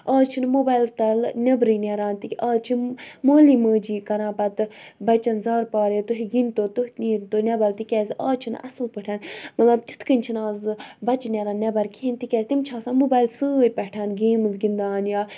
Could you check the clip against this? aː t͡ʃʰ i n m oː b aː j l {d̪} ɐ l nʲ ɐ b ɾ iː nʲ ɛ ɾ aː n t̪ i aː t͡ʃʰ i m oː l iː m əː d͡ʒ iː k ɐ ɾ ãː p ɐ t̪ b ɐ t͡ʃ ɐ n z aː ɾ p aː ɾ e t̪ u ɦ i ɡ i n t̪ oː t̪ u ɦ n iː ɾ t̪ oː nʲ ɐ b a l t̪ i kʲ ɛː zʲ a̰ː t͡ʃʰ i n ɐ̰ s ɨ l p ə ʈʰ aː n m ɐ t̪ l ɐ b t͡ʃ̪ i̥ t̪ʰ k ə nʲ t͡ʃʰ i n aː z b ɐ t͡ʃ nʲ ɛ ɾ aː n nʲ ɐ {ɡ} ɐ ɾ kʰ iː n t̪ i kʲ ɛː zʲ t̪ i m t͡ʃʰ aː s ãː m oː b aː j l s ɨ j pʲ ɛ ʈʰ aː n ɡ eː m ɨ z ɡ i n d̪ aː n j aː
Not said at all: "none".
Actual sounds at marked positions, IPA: t̪, b

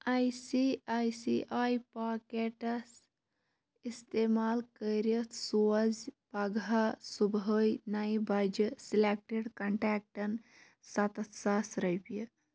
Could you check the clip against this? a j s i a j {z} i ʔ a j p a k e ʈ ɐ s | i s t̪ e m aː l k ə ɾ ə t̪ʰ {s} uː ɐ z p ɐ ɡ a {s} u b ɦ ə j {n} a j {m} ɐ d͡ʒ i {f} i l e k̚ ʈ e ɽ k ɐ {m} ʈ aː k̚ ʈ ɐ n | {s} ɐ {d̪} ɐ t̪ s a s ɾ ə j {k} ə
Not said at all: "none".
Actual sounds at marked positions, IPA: s, s, s, n, b, s, ɳ, s, t̪, p

